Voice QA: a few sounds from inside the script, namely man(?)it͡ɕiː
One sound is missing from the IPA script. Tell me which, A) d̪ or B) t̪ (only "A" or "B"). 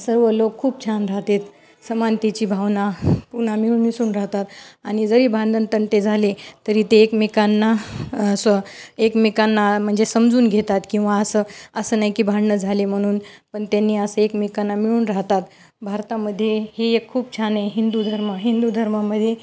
B